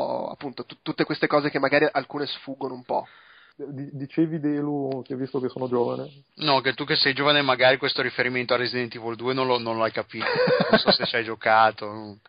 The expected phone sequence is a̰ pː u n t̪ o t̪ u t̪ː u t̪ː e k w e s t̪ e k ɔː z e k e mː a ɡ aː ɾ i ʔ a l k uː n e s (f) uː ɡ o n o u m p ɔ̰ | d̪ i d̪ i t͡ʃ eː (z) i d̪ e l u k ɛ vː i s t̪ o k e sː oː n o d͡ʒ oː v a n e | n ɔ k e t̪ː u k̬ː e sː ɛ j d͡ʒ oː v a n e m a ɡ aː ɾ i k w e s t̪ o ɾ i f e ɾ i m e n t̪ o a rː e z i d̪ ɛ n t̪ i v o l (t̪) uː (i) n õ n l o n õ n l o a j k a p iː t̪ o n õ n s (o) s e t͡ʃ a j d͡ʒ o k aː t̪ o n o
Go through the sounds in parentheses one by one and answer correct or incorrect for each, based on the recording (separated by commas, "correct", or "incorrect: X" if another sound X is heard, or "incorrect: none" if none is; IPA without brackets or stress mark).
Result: correct, incorrect: v, incorrect: d̪, incorrect: e, incorrect: ɔ